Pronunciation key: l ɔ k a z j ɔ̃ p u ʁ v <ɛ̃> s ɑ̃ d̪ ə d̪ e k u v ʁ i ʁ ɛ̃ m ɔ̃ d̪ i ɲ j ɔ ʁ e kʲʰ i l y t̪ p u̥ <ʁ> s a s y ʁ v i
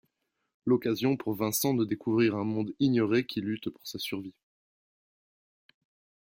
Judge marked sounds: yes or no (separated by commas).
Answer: yes, yes